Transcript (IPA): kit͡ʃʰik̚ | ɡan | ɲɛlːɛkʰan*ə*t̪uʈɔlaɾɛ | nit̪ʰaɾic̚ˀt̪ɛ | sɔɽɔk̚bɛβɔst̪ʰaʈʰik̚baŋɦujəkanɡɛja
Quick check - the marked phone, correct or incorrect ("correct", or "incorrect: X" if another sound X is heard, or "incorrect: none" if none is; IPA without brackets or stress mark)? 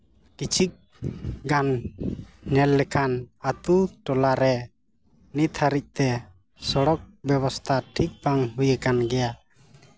incorrect: a